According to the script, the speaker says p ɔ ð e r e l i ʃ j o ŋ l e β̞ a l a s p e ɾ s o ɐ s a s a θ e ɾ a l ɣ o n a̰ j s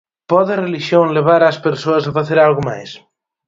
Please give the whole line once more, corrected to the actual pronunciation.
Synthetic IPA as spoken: p ɔ ð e r e l i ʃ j o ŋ l e β̞ a ɾ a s p e ɾ s o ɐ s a f a θ e ɾ a l ɣ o m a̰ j s